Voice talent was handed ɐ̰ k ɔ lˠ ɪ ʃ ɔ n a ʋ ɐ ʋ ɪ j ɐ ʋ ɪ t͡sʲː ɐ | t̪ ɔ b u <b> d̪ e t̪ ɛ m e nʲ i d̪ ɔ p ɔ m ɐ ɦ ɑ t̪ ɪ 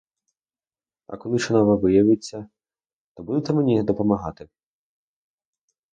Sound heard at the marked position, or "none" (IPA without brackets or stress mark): none